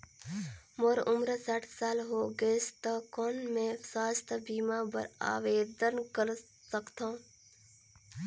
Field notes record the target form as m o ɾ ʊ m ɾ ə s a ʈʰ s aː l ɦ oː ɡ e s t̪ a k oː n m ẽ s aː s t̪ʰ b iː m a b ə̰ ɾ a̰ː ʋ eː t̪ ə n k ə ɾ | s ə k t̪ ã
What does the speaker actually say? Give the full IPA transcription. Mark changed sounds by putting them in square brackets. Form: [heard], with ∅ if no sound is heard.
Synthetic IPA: m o ɾ ʊ m ɾ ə s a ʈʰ s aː l ɦ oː ɡ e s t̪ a k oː n m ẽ s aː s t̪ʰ b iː m a b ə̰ ɾ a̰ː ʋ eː [d̪] ə n k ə ɾ | s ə k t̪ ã